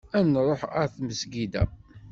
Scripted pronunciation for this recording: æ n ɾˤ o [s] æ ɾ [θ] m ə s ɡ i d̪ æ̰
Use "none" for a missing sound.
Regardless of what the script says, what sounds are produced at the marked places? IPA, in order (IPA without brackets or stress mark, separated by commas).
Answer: ħ, θ